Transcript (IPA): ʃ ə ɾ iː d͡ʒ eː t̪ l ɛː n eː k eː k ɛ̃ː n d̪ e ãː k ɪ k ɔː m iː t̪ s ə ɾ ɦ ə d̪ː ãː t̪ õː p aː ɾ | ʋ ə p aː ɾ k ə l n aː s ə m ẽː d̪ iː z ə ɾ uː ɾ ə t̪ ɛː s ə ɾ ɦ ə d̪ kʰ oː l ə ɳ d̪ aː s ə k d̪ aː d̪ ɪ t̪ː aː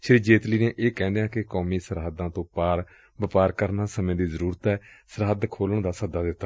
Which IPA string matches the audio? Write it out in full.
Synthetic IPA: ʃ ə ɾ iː d͡ʒ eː t̪ l iː n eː ʔ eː k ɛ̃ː n d̪ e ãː k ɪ k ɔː m iː s ə ɾ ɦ ə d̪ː ãː t̪ õː p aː ɾ | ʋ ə p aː ɾ k ə ɾ n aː s ə m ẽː d̪ iː z ə ɾ uː ɾ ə t̪ ɛː s ə ɾ ɦ ə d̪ kʰ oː l ə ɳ d̪ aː s ə d̪ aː d̪ ɪ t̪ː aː